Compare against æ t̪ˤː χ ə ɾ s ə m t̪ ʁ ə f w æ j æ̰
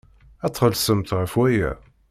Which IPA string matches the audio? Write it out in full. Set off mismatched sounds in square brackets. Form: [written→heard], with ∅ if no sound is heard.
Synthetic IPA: æ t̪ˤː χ ə [ɾ→l] s ə m t̪ ʁ ə f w æ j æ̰